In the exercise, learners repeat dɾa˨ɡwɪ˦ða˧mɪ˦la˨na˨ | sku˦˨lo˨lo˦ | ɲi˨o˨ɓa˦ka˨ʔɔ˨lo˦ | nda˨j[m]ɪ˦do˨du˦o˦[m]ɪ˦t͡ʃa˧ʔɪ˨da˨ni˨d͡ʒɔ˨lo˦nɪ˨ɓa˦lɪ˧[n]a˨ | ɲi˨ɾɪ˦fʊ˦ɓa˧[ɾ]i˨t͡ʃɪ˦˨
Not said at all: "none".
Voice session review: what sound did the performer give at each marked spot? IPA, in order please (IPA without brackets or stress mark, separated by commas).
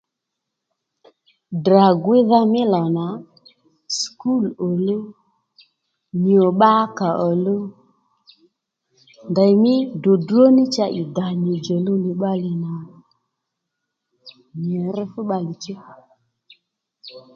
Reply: m, n, n, l